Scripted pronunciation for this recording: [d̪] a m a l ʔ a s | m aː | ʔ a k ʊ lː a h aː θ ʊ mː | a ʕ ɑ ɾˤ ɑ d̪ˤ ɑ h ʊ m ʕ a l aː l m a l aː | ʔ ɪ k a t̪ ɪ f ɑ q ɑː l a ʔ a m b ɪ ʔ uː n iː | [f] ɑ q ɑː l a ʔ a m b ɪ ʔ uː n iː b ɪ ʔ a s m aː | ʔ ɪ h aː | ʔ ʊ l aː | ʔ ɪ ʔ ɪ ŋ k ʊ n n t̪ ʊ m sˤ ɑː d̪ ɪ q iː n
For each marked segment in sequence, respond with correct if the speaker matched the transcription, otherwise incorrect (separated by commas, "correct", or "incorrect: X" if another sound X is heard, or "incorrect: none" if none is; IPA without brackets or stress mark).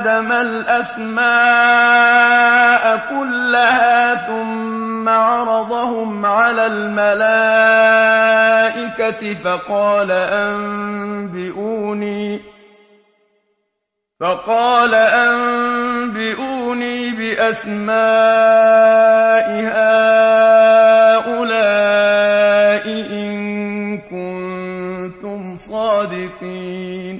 correct, correct